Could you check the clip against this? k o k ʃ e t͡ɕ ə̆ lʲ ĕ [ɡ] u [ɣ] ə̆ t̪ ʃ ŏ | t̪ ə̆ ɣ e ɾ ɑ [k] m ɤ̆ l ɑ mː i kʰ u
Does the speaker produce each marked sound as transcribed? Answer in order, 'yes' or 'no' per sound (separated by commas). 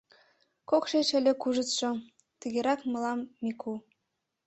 no, no, yes